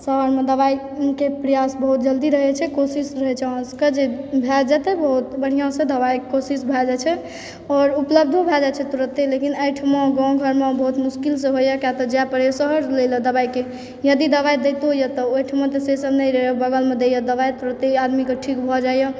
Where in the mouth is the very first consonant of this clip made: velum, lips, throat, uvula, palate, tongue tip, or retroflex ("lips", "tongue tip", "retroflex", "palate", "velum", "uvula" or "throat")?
tongue tip